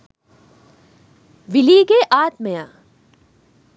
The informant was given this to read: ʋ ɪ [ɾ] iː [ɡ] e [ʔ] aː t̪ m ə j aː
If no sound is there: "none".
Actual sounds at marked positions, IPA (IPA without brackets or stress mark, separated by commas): l, ɡ, ʔ